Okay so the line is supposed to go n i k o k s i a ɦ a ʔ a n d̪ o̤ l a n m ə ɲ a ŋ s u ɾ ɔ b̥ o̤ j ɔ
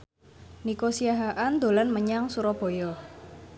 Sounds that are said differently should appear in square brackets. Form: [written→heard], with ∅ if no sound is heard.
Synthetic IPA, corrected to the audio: n i k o [k→∅] s i a ɦ a ʔ a n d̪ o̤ l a n m ə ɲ a ŋ s u ɾ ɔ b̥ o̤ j ɔ